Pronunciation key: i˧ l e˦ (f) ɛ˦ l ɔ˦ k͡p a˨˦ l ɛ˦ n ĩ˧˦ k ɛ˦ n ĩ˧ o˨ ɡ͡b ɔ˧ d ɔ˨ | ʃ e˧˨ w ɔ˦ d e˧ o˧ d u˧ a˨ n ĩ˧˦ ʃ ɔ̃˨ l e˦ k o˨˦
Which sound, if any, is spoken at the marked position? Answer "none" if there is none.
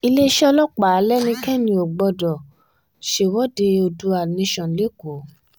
ʃ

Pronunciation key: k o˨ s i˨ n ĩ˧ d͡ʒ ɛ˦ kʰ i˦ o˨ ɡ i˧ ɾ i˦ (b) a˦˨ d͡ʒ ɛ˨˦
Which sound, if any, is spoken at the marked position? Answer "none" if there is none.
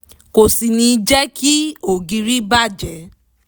b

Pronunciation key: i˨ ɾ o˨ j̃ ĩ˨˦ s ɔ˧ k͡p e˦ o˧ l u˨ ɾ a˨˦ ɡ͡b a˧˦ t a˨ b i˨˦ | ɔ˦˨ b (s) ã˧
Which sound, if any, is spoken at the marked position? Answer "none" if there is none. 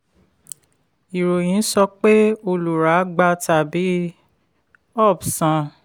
s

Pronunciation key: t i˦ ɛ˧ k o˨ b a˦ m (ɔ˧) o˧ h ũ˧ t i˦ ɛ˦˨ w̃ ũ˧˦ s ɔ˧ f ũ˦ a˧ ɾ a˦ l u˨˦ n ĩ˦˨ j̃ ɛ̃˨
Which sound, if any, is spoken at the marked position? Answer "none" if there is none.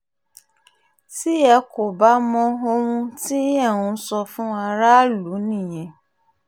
ɔ̃˧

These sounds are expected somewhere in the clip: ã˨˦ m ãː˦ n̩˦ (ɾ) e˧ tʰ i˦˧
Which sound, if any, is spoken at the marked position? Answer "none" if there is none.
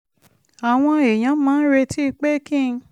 ɾ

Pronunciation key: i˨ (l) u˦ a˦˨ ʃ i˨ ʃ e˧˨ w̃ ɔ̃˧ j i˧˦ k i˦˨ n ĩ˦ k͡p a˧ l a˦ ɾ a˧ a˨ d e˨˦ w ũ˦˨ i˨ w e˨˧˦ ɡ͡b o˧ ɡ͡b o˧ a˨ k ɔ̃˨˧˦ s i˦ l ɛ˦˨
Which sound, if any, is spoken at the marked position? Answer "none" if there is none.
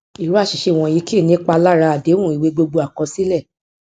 ɾ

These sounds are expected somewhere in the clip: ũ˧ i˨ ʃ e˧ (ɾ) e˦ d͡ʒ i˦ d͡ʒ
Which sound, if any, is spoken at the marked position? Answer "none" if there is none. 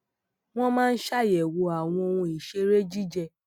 ɾ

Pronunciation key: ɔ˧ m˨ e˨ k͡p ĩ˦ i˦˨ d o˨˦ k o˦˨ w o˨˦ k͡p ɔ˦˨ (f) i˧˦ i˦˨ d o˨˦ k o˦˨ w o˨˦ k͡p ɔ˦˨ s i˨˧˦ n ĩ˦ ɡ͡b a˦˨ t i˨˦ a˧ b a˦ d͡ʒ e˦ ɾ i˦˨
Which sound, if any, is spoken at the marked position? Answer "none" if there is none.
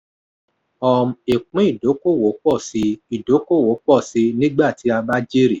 s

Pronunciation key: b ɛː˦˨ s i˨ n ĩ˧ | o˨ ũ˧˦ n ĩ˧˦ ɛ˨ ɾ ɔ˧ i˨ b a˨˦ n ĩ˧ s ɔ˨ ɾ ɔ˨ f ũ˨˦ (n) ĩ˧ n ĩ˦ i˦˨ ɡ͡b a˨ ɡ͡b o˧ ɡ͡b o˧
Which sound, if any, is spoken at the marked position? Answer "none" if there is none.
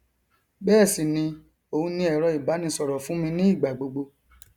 m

